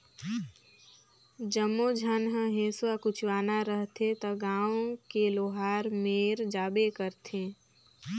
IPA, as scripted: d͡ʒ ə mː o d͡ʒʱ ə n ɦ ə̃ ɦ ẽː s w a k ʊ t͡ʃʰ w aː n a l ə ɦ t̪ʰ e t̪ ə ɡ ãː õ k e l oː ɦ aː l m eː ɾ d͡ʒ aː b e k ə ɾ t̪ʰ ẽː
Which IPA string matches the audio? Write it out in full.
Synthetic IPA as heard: d͡ʒ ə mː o d͡ʒʱ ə n ɦ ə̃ ɦ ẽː s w a k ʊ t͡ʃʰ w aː n a ɾ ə ɦ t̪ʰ e t̪ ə ɡ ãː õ k e l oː ɦ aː ɾ m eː ɾ d͡ʒ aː b e k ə ɾ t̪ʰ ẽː